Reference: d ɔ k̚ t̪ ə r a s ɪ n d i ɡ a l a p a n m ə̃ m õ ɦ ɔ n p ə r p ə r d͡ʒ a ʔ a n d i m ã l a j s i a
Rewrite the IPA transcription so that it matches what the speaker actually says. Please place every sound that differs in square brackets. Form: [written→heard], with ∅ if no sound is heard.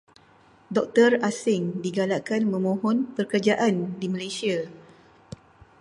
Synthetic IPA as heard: d ɔ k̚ t̪ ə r a s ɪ [n→ŋ] d i ɡ a l a [p→k] a n m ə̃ m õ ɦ ɔ n p ə r [p→k] ə r d͡ʒ a ʔ a n d i m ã l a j s i a